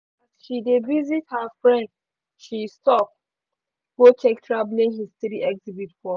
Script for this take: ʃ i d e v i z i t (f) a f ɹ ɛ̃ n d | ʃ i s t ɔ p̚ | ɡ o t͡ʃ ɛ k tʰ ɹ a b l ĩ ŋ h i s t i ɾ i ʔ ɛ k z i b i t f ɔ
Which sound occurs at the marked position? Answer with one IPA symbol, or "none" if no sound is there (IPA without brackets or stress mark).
h